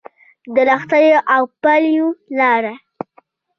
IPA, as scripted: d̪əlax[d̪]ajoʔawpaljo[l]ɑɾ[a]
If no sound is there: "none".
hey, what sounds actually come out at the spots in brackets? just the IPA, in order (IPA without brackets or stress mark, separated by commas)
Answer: t̪, l, a